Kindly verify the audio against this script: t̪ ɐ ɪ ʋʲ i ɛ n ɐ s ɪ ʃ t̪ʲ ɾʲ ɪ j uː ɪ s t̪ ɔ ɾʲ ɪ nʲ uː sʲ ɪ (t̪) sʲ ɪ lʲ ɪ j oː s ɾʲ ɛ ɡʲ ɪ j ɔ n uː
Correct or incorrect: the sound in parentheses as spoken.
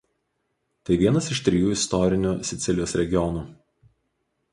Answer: correct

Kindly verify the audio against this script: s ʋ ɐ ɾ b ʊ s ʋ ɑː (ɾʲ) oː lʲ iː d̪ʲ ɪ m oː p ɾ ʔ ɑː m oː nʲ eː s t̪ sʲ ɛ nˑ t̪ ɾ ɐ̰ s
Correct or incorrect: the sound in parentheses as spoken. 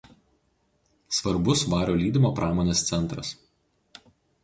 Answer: correct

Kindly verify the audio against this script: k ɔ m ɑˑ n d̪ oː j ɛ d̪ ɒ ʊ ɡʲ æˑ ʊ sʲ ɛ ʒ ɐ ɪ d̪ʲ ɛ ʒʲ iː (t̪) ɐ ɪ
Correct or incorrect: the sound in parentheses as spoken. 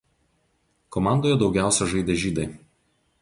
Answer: incorrect: d̪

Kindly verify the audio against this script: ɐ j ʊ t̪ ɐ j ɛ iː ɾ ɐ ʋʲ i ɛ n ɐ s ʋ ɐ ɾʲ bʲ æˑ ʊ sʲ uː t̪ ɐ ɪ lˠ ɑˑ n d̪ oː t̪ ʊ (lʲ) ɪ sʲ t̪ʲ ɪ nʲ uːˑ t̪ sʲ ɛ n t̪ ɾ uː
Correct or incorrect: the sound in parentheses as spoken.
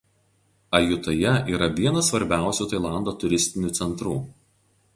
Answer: incorrect: ɾʲ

